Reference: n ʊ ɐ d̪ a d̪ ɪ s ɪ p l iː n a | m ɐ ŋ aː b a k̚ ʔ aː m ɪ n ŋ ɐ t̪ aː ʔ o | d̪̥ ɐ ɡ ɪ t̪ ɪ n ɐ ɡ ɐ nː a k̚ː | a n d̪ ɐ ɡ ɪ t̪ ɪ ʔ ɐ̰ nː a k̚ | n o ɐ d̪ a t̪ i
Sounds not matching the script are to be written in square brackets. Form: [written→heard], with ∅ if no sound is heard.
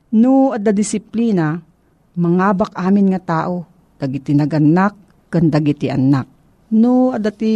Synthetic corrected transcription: n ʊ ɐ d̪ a d̪ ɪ s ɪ p l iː n a | m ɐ ŋ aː b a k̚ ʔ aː m ɪ n ŋ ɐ t̪ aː ʔ o | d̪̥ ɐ ɡ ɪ t̪ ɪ n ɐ ɡ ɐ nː a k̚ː | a n d̪ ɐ ɡ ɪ t̪ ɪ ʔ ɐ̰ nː a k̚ | n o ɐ d̪ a t̪ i